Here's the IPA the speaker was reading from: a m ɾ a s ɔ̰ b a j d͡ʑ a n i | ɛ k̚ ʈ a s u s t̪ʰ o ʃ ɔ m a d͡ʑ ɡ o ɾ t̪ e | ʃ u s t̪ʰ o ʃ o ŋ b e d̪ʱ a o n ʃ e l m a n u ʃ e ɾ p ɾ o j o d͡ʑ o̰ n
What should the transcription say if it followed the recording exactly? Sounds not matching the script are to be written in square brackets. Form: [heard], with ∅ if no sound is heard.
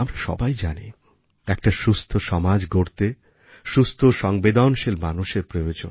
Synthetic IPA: a m ɾ a [ʃ] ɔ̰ b a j d͡ʑ a n i | ɛ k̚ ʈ a [ʃ] u s t̪ʰ o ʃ ɔ m a d͡ʑ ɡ o ɾ t̪ e | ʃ u s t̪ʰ o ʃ [ɔ] ŋ b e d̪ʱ a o n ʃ e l m a n u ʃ e ɾ p ɾ o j o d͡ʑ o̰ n